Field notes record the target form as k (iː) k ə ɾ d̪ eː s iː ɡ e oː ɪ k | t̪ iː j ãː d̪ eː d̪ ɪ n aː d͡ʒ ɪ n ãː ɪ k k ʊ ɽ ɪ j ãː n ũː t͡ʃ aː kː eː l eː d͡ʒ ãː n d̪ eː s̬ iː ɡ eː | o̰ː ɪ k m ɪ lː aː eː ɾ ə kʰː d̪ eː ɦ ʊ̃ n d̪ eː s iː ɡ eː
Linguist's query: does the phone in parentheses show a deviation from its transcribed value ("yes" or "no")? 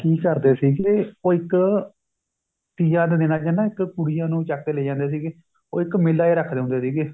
no